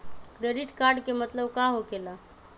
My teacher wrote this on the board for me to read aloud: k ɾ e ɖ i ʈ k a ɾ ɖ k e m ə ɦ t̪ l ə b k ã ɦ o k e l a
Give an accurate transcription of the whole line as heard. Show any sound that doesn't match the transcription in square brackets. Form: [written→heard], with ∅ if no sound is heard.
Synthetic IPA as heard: k ɾ e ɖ i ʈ k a ɾ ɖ k e m ə [ɦ→∅] t̪ l ə b k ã ɦ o k e l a